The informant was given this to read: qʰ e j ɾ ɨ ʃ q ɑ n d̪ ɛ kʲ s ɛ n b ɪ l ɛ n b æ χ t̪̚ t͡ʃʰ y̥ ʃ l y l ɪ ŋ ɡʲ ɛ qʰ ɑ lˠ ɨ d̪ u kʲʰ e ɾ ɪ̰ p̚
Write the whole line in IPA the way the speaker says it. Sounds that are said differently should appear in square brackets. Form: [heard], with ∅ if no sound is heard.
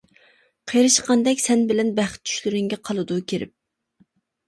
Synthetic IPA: qʰ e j ɾ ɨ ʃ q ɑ n d̪ ɛ kʲ s ɛ n b ɪ l ɛ n b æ χ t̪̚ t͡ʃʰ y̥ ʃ l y [ɾ] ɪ ŋ ɡʲ ɛ qʰ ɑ lˠ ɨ d̪ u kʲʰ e ɾ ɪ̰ p̚